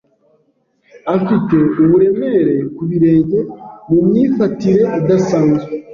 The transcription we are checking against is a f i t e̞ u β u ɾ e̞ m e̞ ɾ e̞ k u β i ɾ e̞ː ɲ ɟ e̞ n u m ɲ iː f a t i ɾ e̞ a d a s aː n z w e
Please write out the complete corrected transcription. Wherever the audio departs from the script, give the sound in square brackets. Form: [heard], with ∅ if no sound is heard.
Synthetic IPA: a f i t e̞ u β u ɾ e̞ m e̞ ɾ e̞ k u β i ɾ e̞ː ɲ ɟ e̞ [m] u m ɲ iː f a t i ɾ e̞ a d a s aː n z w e